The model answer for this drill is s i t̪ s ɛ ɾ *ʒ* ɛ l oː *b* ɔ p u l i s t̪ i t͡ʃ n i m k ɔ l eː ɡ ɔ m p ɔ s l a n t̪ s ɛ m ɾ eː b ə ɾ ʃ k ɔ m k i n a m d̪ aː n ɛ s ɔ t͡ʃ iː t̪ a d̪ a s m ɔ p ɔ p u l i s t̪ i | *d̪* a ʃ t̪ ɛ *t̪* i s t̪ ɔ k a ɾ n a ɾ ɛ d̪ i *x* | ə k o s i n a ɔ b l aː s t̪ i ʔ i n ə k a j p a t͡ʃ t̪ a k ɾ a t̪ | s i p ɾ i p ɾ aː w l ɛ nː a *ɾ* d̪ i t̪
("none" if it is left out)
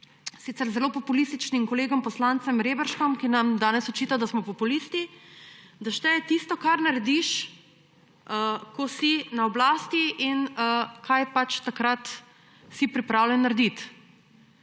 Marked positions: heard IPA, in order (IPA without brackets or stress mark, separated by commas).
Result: z, p, d̪, t̪, ʃ, ɾ